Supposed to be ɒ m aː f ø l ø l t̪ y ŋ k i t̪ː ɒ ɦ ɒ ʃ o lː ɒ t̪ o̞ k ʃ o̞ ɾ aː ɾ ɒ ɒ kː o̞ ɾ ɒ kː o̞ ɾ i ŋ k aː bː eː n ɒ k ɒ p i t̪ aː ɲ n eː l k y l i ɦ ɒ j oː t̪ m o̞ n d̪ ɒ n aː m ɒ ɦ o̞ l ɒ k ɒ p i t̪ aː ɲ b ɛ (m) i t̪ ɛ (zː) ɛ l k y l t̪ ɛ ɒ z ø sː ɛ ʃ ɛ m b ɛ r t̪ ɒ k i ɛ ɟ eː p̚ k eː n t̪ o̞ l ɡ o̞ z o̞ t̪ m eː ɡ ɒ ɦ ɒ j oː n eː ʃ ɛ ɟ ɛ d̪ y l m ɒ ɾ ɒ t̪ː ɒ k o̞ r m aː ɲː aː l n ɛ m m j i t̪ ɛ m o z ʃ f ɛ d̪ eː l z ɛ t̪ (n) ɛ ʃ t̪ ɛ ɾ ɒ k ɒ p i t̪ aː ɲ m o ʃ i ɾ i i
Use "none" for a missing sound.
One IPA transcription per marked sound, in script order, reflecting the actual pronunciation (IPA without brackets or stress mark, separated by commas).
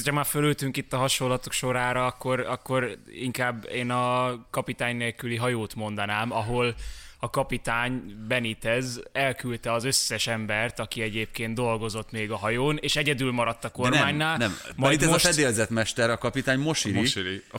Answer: n, z, m